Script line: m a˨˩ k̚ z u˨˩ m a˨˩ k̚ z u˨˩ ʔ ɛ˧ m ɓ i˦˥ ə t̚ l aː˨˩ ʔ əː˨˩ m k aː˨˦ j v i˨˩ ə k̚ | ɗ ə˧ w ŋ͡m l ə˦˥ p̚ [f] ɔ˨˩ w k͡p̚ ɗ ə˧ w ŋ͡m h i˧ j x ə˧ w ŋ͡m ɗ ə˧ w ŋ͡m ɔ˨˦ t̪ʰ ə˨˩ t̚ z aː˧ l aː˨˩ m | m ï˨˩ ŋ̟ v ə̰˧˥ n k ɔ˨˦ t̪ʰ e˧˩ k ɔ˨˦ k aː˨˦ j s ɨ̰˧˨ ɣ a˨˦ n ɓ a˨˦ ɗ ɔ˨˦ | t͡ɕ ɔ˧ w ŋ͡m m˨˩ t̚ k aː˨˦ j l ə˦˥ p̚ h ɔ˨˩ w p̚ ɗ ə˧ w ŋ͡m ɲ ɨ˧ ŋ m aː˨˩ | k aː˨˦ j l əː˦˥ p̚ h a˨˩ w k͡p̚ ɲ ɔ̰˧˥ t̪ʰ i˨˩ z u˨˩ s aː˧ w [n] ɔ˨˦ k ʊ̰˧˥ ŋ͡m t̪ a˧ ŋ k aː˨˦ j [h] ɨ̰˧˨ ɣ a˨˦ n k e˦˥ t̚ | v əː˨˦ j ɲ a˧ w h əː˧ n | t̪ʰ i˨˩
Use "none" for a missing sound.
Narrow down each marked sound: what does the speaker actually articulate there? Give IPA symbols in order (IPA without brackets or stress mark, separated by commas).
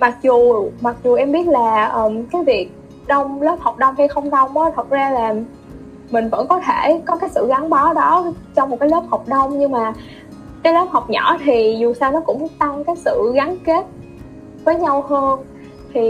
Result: h, n, s